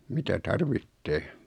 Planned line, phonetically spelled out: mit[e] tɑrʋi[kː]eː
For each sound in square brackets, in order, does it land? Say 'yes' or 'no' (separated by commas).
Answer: no, no